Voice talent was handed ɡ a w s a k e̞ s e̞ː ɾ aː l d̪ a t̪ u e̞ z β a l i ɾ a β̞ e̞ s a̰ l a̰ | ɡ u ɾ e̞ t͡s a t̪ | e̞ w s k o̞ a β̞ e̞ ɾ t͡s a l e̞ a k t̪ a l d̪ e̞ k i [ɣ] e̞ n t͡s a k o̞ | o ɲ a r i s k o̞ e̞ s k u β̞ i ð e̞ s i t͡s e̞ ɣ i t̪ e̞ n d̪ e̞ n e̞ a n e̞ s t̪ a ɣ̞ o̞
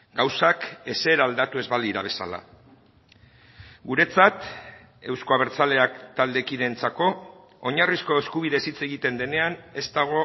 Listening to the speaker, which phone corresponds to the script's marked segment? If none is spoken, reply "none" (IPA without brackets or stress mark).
ð